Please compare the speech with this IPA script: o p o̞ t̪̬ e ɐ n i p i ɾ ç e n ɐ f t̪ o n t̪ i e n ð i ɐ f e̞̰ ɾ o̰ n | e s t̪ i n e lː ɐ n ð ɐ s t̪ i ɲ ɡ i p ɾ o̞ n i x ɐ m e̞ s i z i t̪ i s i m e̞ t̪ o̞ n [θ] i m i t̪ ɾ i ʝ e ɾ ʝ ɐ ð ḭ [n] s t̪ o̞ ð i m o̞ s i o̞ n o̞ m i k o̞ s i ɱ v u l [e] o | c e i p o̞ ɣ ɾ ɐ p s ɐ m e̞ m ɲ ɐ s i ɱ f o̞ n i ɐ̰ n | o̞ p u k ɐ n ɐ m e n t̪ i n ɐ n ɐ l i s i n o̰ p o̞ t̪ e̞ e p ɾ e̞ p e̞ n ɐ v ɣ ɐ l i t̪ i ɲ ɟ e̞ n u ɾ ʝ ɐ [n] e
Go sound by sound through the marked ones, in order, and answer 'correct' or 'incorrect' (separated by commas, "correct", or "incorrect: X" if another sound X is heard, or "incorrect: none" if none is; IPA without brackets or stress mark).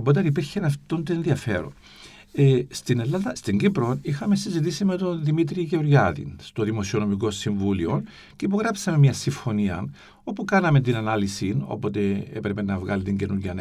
incorrect: ð, correct, incorrect: i, correct